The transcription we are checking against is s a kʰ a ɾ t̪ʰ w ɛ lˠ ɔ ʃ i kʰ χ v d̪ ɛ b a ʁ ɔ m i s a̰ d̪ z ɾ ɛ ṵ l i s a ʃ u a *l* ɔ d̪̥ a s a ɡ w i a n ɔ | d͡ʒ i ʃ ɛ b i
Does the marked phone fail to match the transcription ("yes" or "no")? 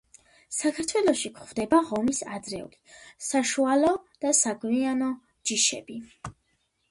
no